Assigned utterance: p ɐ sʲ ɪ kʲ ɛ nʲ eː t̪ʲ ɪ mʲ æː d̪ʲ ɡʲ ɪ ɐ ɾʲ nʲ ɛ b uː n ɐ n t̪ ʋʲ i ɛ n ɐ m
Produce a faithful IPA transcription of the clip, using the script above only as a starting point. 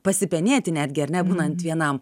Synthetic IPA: p ɐ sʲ ɪ pʲ ɛ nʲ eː t̪ʲ ɪ nʲ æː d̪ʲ ɡʲ ɪ ɐ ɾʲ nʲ ɛ b uː n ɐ n t̪ ʋʲ i ɛ n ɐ m